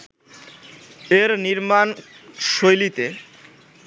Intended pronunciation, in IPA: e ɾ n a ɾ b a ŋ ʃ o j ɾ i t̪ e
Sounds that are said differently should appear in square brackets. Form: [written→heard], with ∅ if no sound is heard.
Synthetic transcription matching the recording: e ɾ n [a→i] ɾ [b→m] a [ŋ→n] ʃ o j [ɾ→l] i t̪ e